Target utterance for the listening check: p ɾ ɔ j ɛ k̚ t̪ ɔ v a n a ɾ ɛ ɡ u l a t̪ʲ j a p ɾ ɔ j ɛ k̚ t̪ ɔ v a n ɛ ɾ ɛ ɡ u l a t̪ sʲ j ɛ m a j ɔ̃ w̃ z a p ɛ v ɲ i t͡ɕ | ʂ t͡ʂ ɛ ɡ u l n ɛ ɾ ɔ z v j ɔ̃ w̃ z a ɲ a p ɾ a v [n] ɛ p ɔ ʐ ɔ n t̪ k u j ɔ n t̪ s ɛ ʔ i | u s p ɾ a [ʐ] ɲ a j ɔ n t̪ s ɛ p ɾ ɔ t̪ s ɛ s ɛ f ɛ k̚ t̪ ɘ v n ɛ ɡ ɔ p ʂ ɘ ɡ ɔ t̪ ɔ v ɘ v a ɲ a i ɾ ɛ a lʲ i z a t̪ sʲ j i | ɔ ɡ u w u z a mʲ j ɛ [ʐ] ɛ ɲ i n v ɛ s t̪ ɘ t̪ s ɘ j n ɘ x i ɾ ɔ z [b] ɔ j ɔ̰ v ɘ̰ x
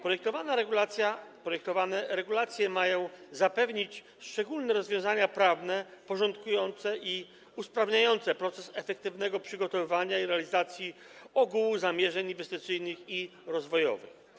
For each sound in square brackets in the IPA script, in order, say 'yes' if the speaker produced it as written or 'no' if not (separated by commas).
yes, no, yes, no